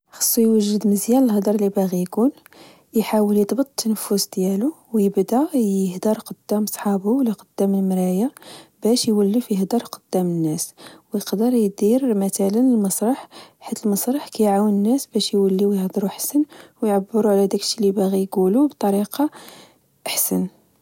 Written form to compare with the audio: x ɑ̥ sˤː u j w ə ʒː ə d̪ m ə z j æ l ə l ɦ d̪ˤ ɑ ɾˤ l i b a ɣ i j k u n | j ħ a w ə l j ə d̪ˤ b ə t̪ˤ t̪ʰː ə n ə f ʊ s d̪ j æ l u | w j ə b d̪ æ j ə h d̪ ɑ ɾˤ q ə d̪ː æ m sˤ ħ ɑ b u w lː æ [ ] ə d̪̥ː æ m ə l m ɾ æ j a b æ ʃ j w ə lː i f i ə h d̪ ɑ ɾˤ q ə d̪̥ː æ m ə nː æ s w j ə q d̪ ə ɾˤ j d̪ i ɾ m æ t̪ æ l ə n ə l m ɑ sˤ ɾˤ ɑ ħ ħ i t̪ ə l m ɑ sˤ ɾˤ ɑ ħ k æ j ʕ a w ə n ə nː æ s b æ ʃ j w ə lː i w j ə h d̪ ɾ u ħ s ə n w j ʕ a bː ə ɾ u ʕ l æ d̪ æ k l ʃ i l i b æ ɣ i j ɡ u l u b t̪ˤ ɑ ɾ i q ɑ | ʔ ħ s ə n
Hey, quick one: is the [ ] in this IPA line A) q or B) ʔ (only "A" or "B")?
A